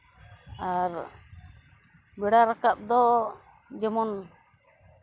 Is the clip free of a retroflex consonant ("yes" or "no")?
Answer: no